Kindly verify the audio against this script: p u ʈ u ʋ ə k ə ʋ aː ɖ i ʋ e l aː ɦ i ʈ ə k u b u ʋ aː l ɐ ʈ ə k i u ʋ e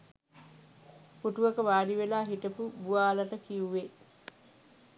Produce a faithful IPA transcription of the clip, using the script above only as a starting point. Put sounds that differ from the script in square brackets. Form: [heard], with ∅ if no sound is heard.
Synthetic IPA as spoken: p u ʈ u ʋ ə k ə ʋ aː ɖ i ʋ e l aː ɦ i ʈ ə [p] u b u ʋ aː l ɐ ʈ ə k i u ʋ e